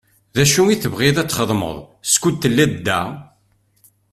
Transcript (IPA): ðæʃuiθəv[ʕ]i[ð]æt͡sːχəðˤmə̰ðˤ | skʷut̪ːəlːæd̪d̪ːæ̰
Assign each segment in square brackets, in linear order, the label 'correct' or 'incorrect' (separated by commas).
incorrect, correct